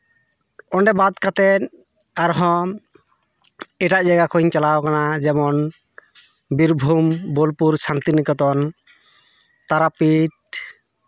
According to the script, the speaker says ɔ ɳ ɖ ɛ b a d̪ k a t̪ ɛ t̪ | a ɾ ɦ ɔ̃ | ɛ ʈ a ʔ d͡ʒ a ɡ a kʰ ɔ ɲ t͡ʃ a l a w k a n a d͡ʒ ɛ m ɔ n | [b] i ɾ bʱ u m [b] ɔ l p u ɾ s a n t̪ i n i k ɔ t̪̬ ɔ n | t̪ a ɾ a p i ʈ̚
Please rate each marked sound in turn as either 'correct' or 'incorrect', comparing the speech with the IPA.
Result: correct, correct

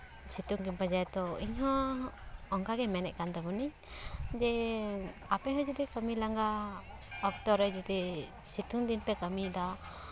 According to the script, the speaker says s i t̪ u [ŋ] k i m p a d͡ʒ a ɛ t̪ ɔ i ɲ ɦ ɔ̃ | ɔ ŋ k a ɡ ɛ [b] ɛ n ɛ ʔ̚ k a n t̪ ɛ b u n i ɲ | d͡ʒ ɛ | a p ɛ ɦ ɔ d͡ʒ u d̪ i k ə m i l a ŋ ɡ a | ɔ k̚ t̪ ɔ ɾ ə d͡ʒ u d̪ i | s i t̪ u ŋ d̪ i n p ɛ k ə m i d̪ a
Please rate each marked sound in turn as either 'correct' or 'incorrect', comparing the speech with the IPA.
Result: correct, incorrect: m

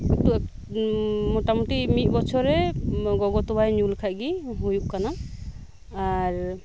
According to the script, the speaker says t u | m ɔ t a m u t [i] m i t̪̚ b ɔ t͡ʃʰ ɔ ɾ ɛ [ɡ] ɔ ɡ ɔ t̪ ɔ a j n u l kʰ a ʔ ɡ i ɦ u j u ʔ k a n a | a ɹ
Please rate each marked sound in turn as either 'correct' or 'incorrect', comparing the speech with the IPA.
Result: correct, correct

